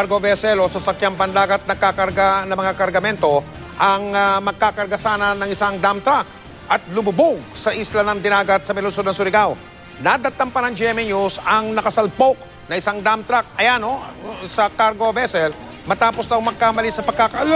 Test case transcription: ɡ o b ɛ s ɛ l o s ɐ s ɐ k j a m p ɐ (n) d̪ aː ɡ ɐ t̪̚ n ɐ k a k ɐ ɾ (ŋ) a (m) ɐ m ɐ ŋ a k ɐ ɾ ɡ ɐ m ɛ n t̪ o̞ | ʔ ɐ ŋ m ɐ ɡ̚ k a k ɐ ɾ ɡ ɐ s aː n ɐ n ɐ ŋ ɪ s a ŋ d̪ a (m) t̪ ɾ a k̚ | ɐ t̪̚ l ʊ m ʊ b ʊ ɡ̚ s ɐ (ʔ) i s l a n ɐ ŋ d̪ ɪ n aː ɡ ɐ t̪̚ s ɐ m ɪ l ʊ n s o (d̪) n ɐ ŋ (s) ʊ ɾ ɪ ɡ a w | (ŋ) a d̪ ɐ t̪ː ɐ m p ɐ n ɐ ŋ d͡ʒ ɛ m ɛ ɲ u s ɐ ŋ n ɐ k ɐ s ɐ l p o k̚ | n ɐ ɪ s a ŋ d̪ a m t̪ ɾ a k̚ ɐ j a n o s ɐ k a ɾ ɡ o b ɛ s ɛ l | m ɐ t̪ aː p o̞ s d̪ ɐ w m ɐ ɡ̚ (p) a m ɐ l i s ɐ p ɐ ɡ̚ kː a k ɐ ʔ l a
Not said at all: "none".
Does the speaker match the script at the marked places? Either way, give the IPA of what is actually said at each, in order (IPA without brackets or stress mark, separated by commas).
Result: n, ɡ, n, m, ʔ, d̪, s, n, k